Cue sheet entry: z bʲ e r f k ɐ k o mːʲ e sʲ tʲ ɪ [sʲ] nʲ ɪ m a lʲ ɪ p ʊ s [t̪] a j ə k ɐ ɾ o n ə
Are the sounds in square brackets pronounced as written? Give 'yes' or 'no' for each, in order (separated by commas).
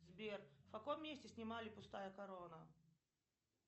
yes, yes